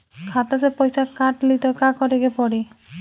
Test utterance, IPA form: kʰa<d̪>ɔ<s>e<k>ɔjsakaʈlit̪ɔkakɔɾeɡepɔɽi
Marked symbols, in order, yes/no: no, yes, no

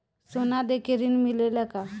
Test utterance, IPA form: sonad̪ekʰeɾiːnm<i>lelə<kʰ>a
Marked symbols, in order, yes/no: yes, no

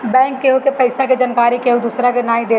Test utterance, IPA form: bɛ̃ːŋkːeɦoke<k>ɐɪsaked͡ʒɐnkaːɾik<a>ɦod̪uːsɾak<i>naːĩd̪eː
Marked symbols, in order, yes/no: no, no, no

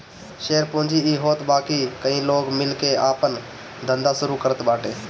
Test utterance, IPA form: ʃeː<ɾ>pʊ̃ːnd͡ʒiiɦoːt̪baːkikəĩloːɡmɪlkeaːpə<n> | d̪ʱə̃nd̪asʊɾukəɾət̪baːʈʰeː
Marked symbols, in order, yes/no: yes, yes

